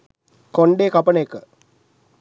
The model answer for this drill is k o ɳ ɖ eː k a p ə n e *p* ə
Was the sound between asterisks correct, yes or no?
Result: no